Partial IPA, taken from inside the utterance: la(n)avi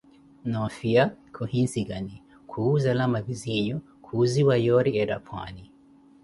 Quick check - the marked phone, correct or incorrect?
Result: incorrect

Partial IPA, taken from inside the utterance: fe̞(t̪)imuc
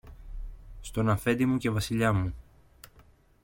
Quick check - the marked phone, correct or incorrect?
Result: incorrect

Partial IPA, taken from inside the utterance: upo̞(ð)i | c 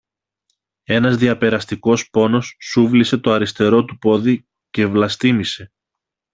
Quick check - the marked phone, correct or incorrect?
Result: correct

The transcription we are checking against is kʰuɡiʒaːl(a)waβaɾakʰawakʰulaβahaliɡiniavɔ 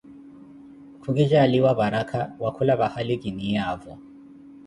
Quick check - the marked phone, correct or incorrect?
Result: incorrect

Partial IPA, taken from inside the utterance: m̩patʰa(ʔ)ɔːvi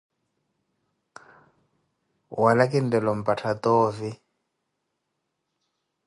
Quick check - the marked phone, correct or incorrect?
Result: incorrect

